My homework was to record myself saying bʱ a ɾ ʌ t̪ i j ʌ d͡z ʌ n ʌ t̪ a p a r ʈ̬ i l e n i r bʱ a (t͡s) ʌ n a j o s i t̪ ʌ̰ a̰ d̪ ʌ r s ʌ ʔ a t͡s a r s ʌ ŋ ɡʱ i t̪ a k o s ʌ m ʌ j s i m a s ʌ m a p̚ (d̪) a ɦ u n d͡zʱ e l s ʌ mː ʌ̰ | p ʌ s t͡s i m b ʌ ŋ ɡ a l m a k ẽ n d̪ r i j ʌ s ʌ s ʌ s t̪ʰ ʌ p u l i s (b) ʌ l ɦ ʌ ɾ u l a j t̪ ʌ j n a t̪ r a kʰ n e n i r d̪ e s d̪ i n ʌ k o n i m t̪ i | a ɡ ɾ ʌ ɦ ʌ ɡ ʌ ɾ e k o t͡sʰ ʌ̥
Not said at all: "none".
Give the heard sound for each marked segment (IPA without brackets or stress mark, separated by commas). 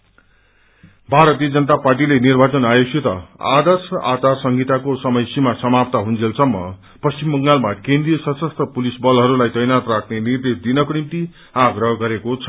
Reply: t͡s, t̪, b